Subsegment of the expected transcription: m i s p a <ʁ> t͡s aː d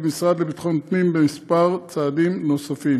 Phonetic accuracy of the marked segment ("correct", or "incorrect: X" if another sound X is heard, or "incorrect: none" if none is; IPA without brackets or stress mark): correct